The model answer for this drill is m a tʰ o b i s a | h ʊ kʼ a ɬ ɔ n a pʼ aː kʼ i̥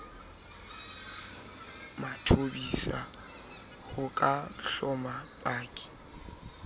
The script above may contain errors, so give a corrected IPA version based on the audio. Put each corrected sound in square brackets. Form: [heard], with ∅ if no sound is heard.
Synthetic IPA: m a tʰ o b i s a | h ʊ kʼ a ɬ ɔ [m] a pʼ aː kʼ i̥